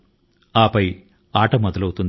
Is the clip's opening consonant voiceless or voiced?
voiceless